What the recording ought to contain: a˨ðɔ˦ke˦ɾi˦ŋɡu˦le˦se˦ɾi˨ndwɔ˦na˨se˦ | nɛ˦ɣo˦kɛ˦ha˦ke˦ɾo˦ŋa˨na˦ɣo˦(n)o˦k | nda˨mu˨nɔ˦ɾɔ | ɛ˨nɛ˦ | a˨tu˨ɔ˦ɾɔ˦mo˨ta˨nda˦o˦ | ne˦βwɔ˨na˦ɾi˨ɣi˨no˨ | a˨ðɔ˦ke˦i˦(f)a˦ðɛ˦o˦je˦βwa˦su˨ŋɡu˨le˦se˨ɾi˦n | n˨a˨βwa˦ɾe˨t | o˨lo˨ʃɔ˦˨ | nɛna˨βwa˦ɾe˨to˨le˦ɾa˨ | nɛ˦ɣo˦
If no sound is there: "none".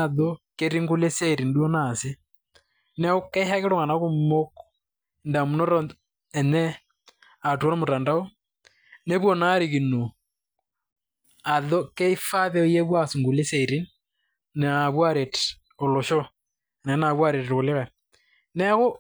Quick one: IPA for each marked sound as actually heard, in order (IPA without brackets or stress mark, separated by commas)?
m, f